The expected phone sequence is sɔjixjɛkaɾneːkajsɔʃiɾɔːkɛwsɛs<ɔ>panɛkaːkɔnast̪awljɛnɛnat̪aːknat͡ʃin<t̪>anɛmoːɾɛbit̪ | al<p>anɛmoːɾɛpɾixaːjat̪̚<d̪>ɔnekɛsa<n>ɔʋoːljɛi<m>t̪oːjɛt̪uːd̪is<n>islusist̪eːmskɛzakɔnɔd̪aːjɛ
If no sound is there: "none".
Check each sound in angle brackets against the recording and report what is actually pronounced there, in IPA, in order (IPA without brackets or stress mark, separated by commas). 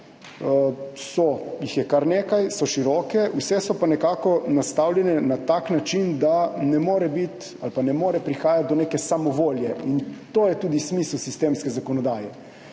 ɔ, d̪, p, d̪, m, n, m